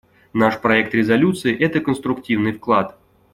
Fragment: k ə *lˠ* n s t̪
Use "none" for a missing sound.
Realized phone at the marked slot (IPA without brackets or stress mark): none